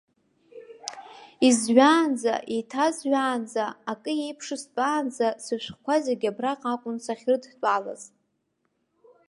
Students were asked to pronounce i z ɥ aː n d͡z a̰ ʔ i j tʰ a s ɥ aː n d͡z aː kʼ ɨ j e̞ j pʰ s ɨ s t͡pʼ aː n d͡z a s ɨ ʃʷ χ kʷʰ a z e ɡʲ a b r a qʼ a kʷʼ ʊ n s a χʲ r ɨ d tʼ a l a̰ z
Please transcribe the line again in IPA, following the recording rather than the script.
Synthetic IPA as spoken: i z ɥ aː n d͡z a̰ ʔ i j tʰ a z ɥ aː n d͡z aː kʼ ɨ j e̞ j pʰ ʂ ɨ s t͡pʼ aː n d͡z a s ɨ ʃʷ χ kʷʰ a z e ɡʲ a b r a qʼ a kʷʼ ʊ n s a χʲ r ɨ d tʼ a l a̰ z

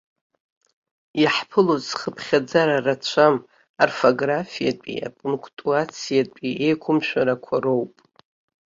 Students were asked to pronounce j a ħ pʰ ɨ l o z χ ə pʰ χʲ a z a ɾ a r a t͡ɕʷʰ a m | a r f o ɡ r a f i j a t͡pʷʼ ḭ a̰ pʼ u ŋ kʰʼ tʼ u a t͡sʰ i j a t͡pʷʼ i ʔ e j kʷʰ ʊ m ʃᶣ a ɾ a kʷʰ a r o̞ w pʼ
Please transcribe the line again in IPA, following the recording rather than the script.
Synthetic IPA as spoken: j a ħ pʰ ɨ l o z χ ə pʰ χʲ a d͡z a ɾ a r a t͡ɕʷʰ a m | a r f o ɡ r a f i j a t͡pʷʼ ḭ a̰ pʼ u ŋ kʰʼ tʼ u a t͡sʰ i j a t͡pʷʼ i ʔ e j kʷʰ ʊ m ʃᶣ a ɾ a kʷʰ a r o̞ w pʼ

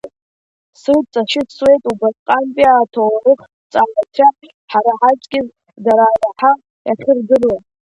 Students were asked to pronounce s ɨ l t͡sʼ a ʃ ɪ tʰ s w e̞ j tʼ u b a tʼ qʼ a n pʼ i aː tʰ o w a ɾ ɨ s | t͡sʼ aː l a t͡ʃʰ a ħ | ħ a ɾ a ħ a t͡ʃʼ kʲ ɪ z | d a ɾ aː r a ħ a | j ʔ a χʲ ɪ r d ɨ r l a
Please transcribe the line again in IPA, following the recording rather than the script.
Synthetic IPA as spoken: s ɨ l t͡sʼ a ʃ ɪ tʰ s w e̞ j tʼ u b a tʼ qʼ a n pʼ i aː tʰ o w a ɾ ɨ χ | t͡sʼ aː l a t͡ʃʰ a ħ | ħ a ɾ a ħ a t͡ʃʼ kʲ ɪ z | d a ɾ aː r a ħ a | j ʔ a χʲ ɪ r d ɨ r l a

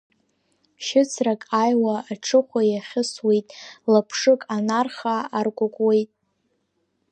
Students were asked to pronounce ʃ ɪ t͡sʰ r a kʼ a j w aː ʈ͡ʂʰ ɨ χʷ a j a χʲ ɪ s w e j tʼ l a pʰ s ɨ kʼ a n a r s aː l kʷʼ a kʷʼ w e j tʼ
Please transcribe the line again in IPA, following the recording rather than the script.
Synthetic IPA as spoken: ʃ ɪ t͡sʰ r a kʼ a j w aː ʈ͡ʂʰ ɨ χʷ a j a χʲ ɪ s w e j tʼ l a pʰ ʂ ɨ kʼ a n a r χ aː r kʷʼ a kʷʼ w e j tʼ

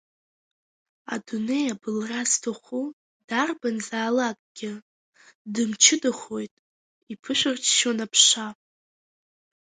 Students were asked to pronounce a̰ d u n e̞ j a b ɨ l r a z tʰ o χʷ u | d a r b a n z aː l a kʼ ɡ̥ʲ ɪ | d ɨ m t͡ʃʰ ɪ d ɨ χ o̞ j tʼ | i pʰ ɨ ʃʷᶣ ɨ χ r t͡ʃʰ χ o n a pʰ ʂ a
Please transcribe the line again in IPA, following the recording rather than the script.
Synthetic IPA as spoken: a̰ d u n e̞ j a b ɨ l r a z tʰ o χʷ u | d a r b a n z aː l a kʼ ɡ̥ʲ ɪ | d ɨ m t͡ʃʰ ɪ d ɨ χ o̞ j tʼ | i pʰ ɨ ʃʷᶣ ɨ r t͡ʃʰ ʃ o n a pʰ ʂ a

